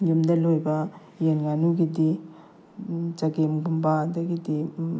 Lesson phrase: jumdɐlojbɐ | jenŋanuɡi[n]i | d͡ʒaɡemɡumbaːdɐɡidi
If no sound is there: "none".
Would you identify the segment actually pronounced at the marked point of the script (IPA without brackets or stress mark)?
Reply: d